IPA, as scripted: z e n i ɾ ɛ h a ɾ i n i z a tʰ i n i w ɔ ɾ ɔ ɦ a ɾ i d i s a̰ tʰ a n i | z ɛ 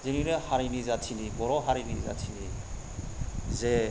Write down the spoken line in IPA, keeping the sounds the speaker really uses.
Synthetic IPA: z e n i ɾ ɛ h a ɾ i n i z a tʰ i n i b ɔ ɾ ɔ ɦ a ɾ i n i z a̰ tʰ i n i | z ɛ

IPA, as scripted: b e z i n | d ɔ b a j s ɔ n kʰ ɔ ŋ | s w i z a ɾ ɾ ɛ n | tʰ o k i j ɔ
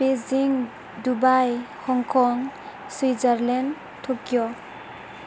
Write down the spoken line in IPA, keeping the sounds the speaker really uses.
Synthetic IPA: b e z i ŋ | d u b a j h ɔ ŋ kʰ ɔ ŋ | s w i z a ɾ l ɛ n | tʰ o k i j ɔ

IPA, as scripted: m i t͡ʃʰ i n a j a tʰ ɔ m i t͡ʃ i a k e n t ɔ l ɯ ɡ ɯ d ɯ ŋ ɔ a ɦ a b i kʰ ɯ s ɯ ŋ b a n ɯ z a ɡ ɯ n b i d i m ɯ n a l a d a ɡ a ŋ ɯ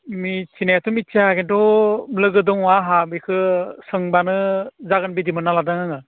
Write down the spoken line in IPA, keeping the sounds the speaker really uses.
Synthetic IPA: m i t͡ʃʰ i n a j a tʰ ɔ m i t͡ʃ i a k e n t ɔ l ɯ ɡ ɯ d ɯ ŋ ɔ a ɦ a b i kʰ ɯ s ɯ ŋ b a n ɯ z a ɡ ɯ n b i d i m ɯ n a l a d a ŋ a ŋ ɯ

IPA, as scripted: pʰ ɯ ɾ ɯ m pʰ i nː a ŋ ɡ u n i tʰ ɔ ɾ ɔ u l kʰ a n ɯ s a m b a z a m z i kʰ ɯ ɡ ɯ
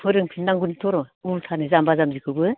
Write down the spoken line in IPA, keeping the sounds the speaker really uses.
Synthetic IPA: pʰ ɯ ɾ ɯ ŋ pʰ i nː a ŋ ɡ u n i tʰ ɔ ɾ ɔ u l tʰ a n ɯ z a m b a z a m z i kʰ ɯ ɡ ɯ

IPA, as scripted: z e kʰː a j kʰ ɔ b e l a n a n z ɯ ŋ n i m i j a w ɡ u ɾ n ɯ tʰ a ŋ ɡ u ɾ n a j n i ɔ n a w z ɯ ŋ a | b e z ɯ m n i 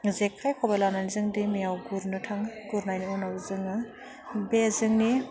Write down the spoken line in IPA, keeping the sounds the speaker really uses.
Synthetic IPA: z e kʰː a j kʰ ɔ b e l a n a n z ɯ ŋ d i m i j a w ɡ u ɾ n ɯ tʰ a ŋ ɡ u ɾ n a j n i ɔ n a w z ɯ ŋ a | b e z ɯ ŋ n i

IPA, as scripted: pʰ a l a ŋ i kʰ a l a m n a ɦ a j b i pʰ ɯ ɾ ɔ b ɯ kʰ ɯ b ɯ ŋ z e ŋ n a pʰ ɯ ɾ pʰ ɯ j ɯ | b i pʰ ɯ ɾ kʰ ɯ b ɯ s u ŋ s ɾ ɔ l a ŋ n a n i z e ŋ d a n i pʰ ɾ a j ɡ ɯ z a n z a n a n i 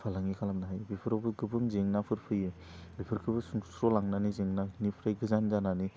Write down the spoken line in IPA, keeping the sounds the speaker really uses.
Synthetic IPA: pʰ a l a ŋ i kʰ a l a m n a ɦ a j b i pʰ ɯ ɾ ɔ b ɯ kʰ ɯ b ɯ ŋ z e ŋ n a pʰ ɯ ɾ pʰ ɯ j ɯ | b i pʰ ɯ ɾ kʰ ɯ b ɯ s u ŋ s ɾ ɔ l a ŋ n a n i z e ŋ n a n i pʰ ɾ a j ɡ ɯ z a n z a n a n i

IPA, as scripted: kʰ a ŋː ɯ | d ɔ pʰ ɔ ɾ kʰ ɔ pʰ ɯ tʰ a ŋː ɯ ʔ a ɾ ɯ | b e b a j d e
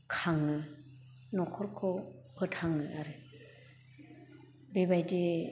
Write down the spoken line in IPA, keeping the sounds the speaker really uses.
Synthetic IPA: kʰ a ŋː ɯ | n ɔ kʰ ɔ ɾ kʰ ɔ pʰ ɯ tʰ a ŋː ɯ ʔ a ɾ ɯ | b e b a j d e

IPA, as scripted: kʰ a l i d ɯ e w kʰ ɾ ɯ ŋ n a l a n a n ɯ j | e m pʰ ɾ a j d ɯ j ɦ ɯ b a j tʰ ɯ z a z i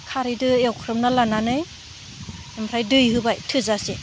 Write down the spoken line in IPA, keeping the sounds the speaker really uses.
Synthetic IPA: kʰ a ɾ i d ɯ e w kʰ ɾ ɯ m n a l a n a n ɯ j | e m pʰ ɾ a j d ɯ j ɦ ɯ b a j tʰ ɯ z a s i

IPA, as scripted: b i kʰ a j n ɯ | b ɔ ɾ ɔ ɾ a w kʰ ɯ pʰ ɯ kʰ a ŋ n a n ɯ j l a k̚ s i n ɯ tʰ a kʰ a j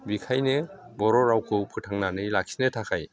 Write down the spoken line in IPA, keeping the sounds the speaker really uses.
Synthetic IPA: b i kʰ a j n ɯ | b ɔ ɾ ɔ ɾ a w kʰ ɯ pʰ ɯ tʰ a ŋ n a n ɯ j l a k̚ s i n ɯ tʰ a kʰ a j

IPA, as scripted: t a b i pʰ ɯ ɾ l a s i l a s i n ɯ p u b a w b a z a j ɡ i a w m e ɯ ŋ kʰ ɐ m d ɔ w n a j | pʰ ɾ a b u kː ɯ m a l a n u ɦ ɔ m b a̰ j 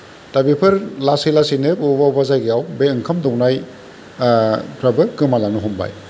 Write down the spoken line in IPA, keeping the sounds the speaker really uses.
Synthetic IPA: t a b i pʰ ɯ ɾ l a s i l a s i n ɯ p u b a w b a z a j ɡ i a w b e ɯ ŋ kʰ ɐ m d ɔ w n a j | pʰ ɾ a b ɯ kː ɯ m a l a n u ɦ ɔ m b a̰ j

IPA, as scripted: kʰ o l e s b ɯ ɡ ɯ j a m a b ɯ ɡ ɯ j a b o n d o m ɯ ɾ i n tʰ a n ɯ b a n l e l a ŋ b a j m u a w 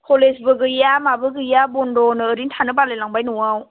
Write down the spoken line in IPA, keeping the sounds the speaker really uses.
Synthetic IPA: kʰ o l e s b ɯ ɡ ɯ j a m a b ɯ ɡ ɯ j a b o n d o n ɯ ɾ i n tʰ a n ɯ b a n l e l a ŋ b a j n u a w

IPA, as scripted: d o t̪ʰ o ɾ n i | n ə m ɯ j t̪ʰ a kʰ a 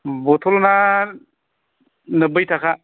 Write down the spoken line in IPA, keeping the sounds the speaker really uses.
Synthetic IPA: b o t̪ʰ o l n a | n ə b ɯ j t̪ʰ a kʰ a

